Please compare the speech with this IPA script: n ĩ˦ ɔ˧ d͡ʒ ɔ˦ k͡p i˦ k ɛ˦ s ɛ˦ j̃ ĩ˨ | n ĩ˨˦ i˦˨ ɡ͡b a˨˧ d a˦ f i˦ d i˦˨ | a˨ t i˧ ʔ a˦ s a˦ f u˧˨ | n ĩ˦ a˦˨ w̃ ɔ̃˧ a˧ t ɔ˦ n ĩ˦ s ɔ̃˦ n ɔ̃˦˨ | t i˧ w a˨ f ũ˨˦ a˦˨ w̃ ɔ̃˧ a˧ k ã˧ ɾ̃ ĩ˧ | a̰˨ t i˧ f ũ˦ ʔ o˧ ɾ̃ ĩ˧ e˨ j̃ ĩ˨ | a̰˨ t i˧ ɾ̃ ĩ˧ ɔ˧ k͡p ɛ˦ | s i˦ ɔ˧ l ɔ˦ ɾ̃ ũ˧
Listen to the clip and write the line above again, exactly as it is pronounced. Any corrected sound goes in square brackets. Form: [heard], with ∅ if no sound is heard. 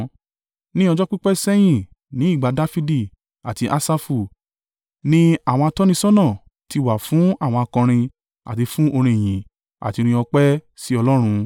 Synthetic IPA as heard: n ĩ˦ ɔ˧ d͡ʒ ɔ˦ k͡p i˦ [k͡p] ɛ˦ s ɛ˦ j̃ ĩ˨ | n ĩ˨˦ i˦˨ ɡ͡b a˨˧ d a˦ f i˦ d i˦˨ | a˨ t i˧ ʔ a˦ s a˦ f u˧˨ | n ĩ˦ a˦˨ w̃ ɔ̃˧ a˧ t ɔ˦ n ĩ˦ s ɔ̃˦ n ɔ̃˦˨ | t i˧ w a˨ f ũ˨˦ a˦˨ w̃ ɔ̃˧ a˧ k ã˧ ɾ̃ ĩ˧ | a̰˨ t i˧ f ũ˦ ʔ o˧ ɾ̃ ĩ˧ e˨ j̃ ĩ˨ | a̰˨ t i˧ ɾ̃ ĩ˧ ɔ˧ k͡p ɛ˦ | s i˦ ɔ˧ l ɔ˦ ɾ̃ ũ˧